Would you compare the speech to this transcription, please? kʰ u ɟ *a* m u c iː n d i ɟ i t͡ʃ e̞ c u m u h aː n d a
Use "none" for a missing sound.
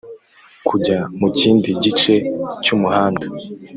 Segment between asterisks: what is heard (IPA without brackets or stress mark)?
a